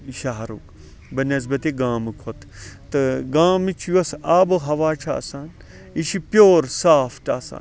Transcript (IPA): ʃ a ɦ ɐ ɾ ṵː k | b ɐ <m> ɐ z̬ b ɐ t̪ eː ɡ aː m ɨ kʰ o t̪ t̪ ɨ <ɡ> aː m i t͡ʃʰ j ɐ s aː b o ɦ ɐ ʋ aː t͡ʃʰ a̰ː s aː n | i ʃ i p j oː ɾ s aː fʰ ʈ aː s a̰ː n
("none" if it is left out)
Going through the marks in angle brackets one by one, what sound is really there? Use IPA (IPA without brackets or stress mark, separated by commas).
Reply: n, ɡ